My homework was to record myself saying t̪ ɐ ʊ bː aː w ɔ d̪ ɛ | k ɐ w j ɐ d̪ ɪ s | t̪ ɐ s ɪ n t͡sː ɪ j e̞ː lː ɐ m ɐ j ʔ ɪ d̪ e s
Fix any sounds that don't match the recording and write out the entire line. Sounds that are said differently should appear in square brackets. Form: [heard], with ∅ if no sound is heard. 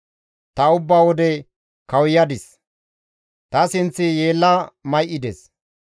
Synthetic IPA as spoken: t̪ ɐ ʊ bː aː w ɔ d̪ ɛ | k ɐ w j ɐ d̪ ɪ s | t̪ ɐ s ɪ n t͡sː ɪ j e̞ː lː ɐ m ɐ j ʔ ɪ d̪ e s

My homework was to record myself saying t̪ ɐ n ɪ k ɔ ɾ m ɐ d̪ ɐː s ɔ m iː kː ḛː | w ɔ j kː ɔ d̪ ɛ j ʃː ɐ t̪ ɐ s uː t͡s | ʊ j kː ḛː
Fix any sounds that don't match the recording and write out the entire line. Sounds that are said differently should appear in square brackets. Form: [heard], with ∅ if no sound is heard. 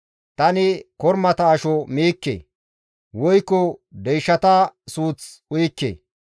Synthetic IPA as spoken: t̪ ɐ n ɪ k ɔ ɾ m ɐ [t̪] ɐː [ʃ] ɔ m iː kː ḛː | w ɔ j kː ɔ d̪ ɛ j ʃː ɐ t̪ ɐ s uː t͡s | ʊ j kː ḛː

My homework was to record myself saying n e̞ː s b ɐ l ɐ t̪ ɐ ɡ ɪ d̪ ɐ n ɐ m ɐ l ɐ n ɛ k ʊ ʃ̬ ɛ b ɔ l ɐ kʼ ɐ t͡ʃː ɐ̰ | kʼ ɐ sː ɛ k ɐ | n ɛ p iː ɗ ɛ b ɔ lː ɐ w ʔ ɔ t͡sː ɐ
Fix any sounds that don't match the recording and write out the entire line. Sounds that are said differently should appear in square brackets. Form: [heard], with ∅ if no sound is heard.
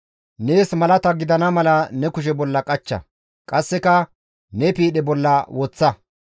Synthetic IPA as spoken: n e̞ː s [m] ɐ l ɐ t̪ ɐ ɡ ɪ d̪ ɐ n ɐ m ɐ l ɐ n ɛ k ʊ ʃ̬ ɛ b ɔ [lː] ɐ kʼ ɐ t͡ʃː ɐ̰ | kʼ ɐ sː ɛ k ɐ | n ɛ p iː ɗ ɛ b ɔ lː ɐ w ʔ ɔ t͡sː ɐ

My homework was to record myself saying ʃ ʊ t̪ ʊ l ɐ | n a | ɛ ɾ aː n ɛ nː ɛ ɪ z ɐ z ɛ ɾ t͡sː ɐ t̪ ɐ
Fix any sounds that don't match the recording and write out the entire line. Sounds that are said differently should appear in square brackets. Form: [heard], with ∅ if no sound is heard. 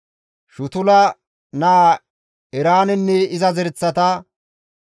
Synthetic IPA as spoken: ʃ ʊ t̪ ʊ l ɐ | n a | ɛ ɾ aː n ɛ nː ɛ ɪ z ɐ z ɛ ɾ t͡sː ɐ t̪ ɐ

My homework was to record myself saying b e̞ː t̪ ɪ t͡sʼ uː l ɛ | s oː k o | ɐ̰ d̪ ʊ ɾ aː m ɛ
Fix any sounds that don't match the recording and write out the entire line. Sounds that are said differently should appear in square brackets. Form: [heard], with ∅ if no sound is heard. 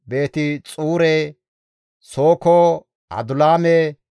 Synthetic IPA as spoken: b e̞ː t̪ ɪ t͡sʼ uː [ɾ] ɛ | s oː k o | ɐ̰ d̪ ʊ [l] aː m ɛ

